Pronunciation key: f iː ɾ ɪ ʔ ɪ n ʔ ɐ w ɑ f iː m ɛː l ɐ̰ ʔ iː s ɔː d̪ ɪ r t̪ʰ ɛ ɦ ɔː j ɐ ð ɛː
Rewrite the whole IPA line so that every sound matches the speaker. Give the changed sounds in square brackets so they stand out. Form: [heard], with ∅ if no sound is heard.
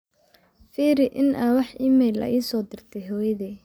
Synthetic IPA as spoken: f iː ɾ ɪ ʔ ɪ n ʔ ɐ w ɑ [ħ] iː m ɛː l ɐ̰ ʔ iː s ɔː d̪ ɪ r t̪ʰ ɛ ɦ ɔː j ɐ ð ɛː